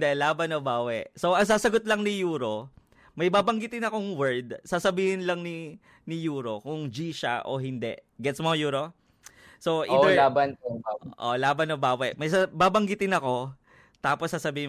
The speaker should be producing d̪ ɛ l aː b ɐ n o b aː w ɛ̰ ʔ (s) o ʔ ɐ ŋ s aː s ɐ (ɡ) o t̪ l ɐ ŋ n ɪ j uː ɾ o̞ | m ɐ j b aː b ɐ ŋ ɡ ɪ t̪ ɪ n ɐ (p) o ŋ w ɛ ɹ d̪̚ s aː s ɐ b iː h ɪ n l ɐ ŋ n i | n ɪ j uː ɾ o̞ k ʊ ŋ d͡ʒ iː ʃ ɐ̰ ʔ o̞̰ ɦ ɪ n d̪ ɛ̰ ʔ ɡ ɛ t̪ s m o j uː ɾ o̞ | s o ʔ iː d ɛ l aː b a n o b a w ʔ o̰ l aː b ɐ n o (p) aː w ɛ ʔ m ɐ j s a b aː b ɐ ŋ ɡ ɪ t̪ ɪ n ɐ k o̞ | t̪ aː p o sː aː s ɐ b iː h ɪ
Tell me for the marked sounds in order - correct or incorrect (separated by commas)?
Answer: correct, correct, incorrect, incorrect